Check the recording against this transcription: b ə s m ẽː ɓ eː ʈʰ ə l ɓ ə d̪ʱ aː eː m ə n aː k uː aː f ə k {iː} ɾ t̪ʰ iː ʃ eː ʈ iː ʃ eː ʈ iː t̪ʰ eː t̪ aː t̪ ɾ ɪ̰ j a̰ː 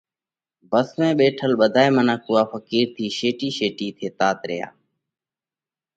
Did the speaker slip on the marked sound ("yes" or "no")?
no